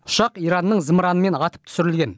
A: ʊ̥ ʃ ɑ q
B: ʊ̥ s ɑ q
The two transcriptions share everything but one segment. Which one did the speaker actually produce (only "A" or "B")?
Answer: A